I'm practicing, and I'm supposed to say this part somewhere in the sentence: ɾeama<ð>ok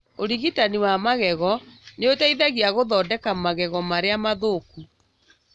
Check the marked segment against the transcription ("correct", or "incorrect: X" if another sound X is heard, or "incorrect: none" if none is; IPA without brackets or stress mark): correct